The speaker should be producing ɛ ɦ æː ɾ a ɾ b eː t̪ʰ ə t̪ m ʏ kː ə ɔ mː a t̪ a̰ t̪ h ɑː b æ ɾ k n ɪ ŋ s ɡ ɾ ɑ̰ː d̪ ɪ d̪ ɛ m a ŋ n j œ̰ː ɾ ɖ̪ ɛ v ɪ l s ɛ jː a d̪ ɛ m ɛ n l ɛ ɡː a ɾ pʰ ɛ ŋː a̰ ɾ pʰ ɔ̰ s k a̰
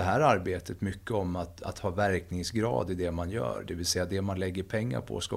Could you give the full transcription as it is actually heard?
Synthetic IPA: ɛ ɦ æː ɾ a ɾ b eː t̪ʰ ə t̪ m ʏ kː ə ɔ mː a t̪ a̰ t̪ h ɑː v æ ɾ k n ɪ ŋ s ɡ ɾ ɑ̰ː d̪ ɪ d̪ ɛ m a n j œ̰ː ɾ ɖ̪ ɛ v ɪ l s ɛ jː a d̪ ɛ m a n l ɛ ɡː ə ɾ pʰ ɛ ŋː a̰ ɾ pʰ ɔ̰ s k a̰